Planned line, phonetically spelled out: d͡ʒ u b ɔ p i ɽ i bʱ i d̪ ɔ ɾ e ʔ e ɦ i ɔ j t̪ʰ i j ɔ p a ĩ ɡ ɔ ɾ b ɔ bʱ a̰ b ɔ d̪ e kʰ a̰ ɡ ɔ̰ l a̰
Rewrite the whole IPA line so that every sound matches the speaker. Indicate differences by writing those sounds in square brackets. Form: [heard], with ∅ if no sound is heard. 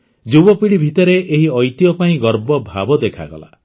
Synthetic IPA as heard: d͡ʒ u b ɔ p i ɽ i bʱ i [t̪] ɔ ɾ e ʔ e ɦ i ɔ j [t̪] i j ɔ p a ĩ ɡ ɔ ɾ b ɔ bʱ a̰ b ɔ d̪ e kʰ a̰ ɡ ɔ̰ l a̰